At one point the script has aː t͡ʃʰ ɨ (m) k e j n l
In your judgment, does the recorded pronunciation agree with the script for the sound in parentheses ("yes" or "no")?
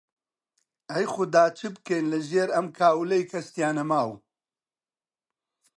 no